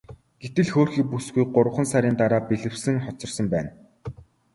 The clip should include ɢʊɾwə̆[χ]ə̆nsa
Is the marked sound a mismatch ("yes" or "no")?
no